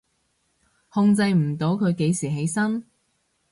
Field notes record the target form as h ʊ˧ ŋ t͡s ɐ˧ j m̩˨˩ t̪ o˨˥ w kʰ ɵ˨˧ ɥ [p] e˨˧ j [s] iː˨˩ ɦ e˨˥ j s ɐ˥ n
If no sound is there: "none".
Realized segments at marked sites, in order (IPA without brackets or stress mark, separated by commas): k, s